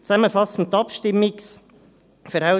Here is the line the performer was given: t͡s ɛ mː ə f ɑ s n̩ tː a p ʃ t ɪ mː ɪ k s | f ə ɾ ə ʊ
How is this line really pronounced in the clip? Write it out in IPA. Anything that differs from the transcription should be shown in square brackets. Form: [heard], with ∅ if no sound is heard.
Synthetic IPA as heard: t͡s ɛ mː ə f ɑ s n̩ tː [ɑ] p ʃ t ɪ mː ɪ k s | f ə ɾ [a] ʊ